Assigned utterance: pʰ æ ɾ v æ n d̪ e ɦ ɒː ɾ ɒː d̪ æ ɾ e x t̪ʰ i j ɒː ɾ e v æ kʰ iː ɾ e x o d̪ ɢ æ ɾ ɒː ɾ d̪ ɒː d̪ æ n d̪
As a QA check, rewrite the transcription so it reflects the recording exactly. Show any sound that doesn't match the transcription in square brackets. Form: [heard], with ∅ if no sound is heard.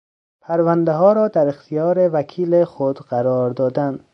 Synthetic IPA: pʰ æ ɾ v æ n d̪ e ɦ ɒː ɾ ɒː d̪ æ ɾ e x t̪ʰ i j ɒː ɾ e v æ kʰ iː [l] e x o d̪ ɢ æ ɾ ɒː ɾ d̪ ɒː d̪ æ n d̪

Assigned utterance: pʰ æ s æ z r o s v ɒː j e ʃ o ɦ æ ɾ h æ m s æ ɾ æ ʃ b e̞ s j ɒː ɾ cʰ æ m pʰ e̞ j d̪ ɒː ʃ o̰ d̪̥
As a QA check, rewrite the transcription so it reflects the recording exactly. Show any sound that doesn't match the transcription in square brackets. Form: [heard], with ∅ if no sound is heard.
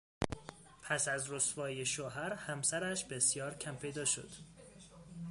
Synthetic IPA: pʰ æ s æ z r o s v ɒː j e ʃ o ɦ æ ɾ h æ m s æ ɾ æ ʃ b e̞ s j ɒː ɾ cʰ æ m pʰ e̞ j d̪ ɒː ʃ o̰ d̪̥

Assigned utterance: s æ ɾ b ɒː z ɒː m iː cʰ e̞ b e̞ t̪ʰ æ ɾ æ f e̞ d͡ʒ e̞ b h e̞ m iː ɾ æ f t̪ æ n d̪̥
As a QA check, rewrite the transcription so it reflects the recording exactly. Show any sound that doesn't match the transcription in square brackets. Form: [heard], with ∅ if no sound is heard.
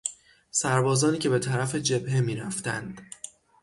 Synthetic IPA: s æ ɾ b ɒː z ɒː [n] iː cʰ e̞ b e̞ t̪ʰ æ ɾ æ f e̞ d͡ʒ e̞ b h e̞ m iː ɾ æ f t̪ æ n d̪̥

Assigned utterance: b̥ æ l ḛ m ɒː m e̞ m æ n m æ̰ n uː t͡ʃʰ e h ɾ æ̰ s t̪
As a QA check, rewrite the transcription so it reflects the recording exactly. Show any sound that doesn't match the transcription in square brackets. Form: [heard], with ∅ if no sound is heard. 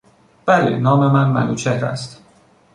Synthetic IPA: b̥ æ l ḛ [n] ɒː m e̞ m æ n m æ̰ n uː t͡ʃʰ e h ɾ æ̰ s t̪

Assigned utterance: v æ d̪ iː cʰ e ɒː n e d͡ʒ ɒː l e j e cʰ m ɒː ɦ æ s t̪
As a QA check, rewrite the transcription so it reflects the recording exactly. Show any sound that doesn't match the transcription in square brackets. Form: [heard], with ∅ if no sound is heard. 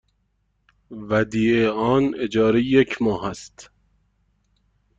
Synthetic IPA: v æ d̪ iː [∅] e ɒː n e d͡ʒ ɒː [ɾ] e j e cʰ m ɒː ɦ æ s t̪

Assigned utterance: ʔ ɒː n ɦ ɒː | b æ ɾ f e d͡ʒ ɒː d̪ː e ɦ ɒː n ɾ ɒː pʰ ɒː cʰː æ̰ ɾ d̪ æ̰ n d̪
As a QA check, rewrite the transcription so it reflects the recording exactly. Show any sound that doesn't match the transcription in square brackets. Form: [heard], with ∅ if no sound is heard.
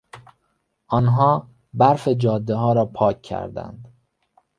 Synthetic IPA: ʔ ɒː n ɦ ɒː | b æ ɾ f e d͡ʒ ɒː d̪ː e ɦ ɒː [∅] ɾ ɒː pʰ ɒː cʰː æ̰ ɾ d̪ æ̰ n d̪

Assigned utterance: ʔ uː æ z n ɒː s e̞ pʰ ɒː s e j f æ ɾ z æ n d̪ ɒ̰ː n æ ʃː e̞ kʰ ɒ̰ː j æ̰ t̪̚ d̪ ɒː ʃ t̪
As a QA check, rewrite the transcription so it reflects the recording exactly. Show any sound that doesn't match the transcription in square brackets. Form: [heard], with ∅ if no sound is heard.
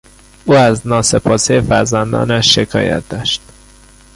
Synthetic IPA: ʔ uː æ z n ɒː s e̞ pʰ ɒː s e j f æ ɾ z æ n d̪ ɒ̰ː n æ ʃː e̞ kʰ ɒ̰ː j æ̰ t̪̚ d̪ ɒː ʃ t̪

